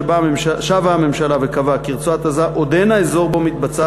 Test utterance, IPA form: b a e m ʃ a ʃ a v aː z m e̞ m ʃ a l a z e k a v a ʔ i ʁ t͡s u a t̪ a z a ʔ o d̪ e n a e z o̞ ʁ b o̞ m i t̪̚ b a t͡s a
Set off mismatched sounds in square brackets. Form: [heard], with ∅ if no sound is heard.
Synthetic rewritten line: b a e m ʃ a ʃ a v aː [∅] m e̞ m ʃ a l a [v] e k a v a [k] i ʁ t͡s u a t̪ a z a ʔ o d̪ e n a e z o̞ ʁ b o̞ m i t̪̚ b a t͡s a